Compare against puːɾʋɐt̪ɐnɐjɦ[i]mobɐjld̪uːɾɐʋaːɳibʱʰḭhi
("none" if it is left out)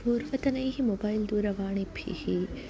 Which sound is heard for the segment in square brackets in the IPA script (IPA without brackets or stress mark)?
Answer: i